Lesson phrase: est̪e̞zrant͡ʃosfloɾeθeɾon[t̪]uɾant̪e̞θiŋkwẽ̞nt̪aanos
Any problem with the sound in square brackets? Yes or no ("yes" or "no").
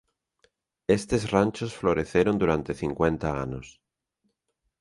yes